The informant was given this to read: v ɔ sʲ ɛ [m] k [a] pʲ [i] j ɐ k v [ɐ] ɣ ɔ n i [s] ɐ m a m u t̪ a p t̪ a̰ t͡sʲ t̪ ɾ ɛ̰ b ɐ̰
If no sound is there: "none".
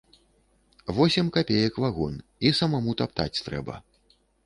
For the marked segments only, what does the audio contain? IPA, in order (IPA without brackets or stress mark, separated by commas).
m, a, e, a, s